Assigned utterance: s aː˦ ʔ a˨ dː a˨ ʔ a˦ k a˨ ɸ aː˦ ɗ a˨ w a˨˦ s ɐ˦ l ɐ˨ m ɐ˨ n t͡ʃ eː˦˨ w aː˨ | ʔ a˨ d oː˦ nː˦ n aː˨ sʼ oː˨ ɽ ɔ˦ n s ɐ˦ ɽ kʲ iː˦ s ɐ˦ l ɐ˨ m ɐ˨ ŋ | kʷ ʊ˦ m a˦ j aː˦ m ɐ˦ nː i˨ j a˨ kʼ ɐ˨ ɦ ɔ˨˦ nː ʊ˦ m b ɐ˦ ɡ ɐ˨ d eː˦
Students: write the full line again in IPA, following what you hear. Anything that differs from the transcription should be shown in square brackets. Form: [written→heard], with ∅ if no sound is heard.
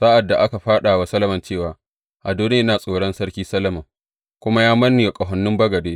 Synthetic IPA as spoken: s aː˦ ʔ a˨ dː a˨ ʔ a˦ k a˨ ɸ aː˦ ɗ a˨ w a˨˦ s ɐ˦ l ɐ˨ m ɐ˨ n t͡ʃ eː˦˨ w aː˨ | ʔ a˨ d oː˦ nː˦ n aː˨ sʼ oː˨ ɽ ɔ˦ n s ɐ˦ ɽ kʲ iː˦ s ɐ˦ l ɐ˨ m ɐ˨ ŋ | kʷ ʊ˦ m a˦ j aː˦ m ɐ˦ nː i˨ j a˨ kʼ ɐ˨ ɦ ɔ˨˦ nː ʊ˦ m b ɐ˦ ɡ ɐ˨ d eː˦

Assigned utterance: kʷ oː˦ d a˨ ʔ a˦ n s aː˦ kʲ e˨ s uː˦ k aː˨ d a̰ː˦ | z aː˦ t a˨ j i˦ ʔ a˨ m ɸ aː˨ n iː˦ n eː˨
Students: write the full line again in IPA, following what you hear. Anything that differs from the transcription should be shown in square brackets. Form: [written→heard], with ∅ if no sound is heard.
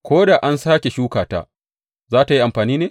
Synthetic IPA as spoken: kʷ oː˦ d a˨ ʔ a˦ n s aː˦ kʲ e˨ [s→ʃ] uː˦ k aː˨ [d→t] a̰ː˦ | z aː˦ t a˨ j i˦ ʔ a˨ m ɸ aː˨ n iː˦ n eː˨

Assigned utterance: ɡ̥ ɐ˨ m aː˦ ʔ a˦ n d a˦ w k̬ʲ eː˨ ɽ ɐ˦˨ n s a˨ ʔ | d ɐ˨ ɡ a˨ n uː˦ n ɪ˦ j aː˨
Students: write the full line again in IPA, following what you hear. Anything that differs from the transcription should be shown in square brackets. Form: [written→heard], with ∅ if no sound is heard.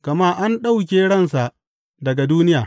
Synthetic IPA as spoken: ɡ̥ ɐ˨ m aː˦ ʔ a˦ n [d→ɗ] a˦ w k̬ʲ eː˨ ɽ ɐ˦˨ n s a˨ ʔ | d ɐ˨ ɡ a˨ [n→d] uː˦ n ɪ˦ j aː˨

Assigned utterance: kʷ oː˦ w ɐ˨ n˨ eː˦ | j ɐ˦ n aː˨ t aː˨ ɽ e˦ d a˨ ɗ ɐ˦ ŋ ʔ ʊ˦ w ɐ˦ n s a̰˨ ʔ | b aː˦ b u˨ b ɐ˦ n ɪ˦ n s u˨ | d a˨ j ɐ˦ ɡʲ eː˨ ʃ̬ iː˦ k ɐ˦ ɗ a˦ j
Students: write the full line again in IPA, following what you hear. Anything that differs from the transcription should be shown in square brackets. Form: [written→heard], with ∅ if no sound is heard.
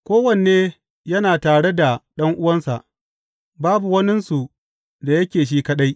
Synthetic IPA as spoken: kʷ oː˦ w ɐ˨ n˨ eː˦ | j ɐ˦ n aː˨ t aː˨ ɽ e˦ d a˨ ɗ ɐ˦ ŋ ʔ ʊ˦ w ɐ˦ n s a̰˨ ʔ | b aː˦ b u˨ [b→w] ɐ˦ n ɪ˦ n s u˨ | d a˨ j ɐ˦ [ɡʲ→kʲ] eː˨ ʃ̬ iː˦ k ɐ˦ ɗ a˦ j

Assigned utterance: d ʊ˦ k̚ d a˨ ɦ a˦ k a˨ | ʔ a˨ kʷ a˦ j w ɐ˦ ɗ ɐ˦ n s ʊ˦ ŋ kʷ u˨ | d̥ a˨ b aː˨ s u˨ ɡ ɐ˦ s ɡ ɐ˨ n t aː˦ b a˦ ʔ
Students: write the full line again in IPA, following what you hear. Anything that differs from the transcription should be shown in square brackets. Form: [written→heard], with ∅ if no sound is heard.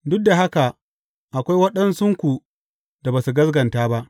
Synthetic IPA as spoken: d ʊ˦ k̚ d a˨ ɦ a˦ k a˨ | ʔ a˨ kʷ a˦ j w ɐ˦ ɗ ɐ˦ n s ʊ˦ ŋ kʷ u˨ | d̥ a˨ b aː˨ s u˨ ɡ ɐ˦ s ɡ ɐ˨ n t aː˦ b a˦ ʔ

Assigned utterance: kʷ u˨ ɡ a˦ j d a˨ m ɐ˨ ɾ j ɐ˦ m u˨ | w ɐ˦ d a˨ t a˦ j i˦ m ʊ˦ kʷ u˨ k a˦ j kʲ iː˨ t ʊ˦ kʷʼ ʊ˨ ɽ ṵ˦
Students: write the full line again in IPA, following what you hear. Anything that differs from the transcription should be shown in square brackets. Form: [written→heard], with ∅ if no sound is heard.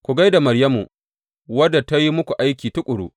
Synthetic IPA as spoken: kʷ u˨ ɡ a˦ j d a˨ m ɐ˨ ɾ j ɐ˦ m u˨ | w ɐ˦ d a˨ t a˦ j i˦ m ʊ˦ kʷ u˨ [k→ʔ] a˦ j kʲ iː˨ t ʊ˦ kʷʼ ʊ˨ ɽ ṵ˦

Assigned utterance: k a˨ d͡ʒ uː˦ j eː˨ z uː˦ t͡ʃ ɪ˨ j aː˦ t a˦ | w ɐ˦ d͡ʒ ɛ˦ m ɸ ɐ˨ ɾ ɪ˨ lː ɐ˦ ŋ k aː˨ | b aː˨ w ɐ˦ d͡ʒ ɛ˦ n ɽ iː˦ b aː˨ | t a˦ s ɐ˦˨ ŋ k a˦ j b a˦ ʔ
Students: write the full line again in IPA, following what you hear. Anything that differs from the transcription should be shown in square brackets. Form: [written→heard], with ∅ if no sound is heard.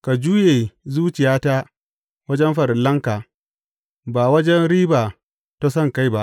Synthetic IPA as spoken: k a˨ d͡ʒ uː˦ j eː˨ z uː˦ t͡ʃ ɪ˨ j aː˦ t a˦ | w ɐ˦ d͡ʒ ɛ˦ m ɸ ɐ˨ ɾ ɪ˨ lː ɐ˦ ŋ k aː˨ | b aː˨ w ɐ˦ d͡ʒ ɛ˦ n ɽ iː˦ b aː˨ | t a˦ s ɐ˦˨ ŋ k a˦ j b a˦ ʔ

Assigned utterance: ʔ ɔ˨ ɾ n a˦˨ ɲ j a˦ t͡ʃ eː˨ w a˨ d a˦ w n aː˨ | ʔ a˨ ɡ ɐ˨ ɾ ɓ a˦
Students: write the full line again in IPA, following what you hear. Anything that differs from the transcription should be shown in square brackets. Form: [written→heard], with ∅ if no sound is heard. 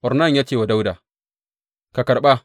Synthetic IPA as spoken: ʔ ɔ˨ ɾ n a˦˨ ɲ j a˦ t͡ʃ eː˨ w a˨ d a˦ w [n→d] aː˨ | [ʔ→k] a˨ [ɡ→k] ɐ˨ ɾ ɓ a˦

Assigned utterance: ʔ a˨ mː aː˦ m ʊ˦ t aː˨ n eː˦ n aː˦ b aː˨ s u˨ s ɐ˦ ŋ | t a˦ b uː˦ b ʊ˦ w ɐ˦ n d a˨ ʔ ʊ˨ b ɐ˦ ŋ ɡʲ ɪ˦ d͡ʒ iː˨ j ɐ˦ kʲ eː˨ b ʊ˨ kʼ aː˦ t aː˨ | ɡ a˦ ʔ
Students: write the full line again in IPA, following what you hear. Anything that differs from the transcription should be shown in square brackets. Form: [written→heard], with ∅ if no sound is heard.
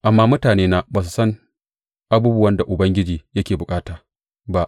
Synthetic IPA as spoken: ʔ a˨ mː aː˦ m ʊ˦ t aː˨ n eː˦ n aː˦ b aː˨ s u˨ s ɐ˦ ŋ | [t→ʔ] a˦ b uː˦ b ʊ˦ w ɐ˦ n d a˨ ʔ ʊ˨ b ɐ˦ ŋ ɡʲ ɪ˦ d͡ʒ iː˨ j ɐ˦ kʲ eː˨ b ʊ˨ kʼ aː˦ t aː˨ | [ɡ→b] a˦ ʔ

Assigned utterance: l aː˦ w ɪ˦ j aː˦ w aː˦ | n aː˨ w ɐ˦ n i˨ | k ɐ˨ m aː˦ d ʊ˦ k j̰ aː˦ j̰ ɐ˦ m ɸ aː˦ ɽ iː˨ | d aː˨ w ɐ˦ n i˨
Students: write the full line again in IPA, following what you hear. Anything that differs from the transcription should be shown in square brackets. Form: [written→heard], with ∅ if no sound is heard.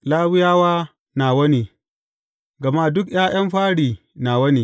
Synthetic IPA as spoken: l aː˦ w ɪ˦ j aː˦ w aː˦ | n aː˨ w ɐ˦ n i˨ | [k→ɡ] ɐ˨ m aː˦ d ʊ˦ k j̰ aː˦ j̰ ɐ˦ m ɸ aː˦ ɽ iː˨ | [d→n] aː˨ w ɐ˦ n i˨

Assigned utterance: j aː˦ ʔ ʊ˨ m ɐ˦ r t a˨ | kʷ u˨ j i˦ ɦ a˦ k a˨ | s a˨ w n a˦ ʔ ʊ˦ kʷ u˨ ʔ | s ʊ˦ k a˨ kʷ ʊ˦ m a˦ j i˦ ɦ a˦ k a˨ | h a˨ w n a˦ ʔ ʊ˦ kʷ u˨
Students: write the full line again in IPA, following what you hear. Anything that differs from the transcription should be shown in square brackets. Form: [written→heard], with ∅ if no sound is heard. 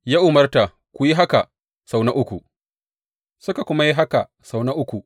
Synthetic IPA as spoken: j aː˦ ʔ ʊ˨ m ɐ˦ r t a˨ | kʷ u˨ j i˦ ɦ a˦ k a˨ | s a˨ w n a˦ ʔ ʊ˦ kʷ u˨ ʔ | s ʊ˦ k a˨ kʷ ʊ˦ m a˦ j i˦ ɦ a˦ k a˨ | [h→s] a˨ w n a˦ ʔ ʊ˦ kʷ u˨

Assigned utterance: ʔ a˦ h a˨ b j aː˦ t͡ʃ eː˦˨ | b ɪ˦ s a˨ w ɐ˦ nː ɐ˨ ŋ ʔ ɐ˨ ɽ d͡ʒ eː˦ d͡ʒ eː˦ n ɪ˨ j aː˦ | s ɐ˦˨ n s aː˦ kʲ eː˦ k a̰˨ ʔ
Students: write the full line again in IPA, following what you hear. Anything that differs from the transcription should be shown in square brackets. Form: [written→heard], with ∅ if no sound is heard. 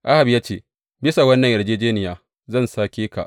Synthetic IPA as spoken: ʔ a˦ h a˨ b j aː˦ t͡ʃ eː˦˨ | b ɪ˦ s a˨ w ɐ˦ nː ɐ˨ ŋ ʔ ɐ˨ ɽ d͡ʒ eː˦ d͡ʒ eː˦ n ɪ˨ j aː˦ | [s→z] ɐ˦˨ n s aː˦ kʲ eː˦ k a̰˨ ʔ

